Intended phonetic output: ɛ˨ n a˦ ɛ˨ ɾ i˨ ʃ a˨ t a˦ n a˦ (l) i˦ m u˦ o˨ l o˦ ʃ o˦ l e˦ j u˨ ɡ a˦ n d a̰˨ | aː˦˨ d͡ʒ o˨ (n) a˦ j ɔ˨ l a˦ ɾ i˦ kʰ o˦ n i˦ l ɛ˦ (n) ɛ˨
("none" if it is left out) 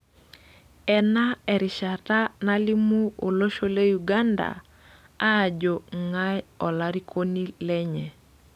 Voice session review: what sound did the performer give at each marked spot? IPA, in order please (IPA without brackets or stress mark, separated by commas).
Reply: l, ŋ, ɲ